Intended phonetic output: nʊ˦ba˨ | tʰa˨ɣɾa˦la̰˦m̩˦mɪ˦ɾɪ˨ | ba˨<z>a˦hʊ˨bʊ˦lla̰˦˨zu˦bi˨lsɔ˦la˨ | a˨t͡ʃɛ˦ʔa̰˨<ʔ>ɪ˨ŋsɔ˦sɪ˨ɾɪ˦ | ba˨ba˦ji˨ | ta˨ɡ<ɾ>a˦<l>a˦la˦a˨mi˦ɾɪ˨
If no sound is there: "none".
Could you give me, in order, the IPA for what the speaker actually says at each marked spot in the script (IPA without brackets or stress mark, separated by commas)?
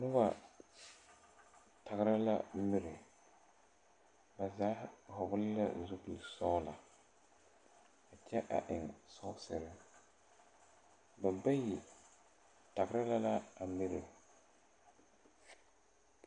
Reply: z, ʔ, ɾ, l